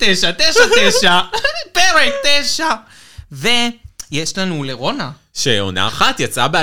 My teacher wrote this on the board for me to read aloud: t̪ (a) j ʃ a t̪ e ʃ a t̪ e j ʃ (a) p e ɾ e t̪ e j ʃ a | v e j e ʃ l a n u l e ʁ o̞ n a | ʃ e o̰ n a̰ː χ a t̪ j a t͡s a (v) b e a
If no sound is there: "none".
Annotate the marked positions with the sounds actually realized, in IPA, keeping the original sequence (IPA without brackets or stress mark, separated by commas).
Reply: e, a, none